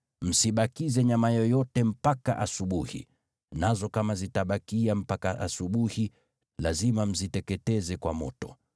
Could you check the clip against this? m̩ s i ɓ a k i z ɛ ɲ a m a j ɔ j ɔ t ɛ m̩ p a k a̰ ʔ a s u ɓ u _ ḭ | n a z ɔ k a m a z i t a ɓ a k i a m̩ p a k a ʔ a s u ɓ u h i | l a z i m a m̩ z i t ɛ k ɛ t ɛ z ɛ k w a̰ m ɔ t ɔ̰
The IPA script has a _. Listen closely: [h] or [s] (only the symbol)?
h